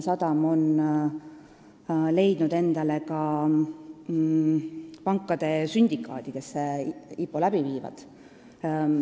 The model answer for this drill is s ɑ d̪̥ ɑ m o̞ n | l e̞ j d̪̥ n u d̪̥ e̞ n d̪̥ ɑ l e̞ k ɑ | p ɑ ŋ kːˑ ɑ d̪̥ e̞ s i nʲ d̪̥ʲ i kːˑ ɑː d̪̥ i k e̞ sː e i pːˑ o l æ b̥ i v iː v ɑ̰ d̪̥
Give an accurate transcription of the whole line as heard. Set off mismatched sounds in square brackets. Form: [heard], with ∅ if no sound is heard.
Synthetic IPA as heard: s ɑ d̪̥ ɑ m o̞ n | l e̞ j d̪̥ n u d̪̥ e̞ n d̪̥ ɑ l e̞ k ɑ | p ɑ ŋ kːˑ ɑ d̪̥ e̞ s [y] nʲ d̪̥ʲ i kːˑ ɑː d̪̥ i k e̞ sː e i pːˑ o l æ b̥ i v iː v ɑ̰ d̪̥